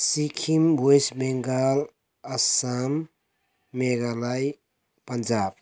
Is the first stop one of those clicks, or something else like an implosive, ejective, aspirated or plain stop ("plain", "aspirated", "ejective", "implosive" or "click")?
aspirated